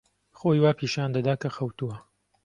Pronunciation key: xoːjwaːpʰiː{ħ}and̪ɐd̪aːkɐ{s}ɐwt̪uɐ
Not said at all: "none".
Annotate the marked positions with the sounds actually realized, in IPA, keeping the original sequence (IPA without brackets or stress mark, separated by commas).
ʃ, x